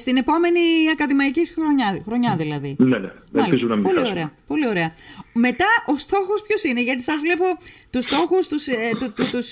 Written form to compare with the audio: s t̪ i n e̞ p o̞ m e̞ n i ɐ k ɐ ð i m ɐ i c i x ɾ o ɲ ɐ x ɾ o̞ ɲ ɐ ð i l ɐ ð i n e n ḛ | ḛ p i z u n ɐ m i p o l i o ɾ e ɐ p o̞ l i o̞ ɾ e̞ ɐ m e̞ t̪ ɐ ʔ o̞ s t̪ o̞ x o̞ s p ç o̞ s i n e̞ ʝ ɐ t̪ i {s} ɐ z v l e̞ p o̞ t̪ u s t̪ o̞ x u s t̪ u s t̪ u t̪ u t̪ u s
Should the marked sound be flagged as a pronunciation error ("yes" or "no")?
no